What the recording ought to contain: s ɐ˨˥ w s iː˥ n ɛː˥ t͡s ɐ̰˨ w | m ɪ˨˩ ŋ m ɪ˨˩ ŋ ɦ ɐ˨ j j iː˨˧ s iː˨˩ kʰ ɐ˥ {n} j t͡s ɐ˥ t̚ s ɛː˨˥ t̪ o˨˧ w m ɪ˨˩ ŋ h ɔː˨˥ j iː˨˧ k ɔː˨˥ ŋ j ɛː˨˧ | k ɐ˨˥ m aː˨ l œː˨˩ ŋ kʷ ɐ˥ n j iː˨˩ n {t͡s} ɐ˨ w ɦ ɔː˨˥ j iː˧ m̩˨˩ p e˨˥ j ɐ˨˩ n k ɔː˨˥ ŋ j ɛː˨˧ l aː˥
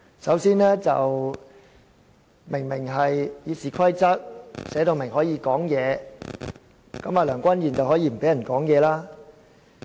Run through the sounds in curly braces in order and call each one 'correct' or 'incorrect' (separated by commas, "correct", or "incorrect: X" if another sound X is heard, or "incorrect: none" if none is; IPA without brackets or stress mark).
incorrect: none, correct